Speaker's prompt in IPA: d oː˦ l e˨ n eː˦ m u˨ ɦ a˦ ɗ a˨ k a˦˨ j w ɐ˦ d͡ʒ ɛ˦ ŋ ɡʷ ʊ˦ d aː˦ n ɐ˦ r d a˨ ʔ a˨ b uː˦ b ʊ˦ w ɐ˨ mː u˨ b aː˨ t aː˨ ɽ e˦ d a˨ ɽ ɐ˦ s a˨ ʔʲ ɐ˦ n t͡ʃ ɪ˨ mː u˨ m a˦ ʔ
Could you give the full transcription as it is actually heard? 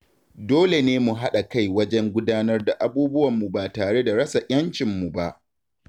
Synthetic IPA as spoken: d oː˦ l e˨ n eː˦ m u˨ ɦ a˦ ɗ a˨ k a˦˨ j w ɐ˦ d͡ʒ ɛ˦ ŋ ɡʷ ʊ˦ d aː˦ n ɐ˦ r d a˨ ʔ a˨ b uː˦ b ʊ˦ w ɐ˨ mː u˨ b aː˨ t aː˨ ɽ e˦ d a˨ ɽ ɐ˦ s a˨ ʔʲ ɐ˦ n t͡ʃ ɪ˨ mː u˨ b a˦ ʔ